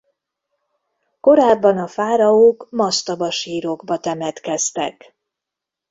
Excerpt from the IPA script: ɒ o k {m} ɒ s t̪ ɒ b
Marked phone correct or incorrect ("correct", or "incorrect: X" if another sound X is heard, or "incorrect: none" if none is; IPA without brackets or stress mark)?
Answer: correct